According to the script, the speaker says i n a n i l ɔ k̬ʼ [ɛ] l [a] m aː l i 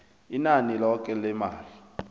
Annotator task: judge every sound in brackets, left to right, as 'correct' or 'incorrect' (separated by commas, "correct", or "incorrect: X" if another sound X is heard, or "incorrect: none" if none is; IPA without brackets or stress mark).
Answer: correct, incorrect: ɛ